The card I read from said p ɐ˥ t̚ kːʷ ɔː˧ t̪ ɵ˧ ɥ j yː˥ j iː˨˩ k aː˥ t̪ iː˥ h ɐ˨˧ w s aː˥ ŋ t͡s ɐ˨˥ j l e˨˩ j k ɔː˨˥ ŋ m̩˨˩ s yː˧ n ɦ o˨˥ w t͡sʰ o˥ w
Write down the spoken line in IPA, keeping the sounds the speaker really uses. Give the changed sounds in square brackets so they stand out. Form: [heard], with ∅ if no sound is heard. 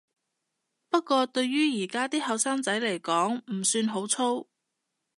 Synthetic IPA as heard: p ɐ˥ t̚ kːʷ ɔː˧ t̪ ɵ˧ ɥ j yː˥ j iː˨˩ k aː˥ t̪ iː˥ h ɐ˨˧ w s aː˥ ŋ t͡s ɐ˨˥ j l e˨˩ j k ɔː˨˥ ŋ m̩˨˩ s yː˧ n ɦ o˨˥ w t͡sʰ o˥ w